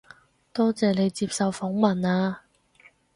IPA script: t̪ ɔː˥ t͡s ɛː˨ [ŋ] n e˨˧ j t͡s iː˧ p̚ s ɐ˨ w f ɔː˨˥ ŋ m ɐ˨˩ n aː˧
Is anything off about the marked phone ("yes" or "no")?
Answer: yes